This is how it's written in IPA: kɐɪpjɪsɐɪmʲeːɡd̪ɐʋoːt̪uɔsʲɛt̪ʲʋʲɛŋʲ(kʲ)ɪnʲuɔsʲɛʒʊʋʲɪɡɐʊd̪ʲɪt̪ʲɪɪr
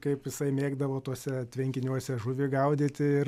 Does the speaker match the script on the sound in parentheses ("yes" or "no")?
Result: yes